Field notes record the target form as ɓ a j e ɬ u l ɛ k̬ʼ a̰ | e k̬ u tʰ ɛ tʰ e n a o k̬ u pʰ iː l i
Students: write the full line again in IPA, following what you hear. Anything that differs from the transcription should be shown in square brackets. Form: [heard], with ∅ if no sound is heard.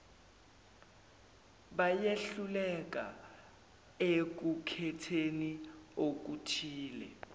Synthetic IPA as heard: ɓ a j e ɬ u l ɛ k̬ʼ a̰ | e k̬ u [kʰ] ɛ tʰ e n [i] o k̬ u [tʰ] iː l [ɛ]